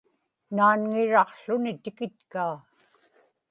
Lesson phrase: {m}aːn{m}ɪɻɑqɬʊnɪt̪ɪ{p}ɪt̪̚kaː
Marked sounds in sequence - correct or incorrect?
incorrect: n, incorrect: ŋ, incorrect: k

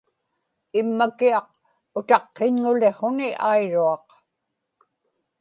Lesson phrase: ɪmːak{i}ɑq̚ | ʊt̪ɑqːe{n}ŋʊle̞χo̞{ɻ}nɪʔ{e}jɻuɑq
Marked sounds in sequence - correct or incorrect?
correct, incorrect: ɲ, incorrect: none, incorrect: a

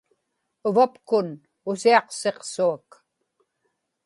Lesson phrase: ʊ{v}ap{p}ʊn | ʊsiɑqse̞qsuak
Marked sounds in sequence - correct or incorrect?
correct, incorrect: k

